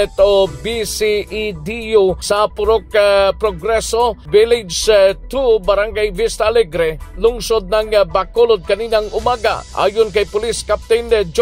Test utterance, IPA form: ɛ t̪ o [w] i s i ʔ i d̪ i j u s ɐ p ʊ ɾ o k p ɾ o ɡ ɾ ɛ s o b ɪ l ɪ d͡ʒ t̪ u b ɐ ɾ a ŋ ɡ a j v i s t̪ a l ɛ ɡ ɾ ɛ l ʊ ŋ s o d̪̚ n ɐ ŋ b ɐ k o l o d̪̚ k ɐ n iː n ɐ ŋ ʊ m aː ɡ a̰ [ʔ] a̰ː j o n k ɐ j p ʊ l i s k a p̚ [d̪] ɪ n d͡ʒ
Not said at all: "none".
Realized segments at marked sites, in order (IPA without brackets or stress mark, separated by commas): b, ʔ, t̪